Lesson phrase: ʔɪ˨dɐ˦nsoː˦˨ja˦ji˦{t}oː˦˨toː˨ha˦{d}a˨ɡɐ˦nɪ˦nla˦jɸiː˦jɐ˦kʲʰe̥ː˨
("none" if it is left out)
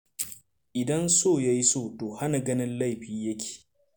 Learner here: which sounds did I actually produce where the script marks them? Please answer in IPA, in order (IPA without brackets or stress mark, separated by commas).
s, n